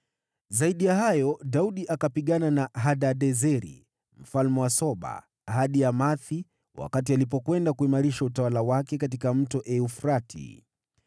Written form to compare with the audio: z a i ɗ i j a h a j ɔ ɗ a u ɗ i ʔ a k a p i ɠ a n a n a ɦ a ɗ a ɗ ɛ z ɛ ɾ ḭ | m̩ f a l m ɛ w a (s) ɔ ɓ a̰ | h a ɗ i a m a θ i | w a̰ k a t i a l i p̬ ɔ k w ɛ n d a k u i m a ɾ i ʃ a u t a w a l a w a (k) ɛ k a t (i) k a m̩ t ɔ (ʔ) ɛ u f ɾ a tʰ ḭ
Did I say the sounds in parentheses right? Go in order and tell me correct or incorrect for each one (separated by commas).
correct, correct, correct, correct